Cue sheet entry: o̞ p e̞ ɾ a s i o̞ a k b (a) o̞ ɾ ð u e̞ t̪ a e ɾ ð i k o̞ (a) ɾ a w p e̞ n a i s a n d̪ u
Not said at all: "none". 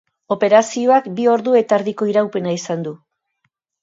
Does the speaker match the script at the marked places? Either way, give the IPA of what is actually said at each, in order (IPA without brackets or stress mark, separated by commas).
i, i